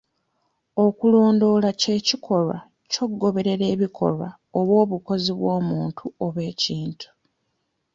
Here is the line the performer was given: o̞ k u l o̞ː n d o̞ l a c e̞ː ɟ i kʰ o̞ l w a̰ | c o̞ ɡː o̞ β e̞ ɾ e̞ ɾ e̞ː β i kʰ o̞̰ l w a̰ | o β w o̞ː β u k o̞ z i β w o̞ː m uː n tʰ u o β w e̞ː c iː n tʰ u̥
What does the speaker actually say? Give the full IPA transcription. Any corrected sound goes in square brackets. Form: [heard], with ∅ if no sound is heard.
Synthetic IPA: o̞ k u l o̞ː n d o̞ l a c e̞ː [c] i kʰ o̞ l w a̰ | c o̞ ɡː o̞ β e̞ ɾ e̞ ɾ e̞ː β i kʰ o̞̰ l w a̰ | o β w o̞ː β u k o̞ z i β w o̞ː m uː n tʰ u o β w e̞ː c iː n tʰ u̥